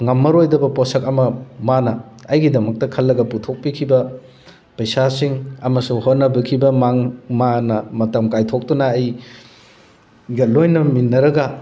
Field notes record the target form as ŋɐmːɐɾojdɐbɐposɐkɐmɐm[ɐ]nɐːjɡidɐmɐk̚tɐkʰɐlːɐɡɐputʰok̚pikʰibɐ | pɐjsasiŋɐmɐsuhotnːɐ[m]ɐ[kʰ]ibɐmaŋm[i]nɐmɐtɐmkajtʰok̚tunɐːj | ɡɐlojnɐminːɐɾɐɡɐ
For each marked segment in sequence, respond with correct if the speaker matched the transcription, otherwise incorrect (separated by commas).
incorrect, incorrect, correct, incorrect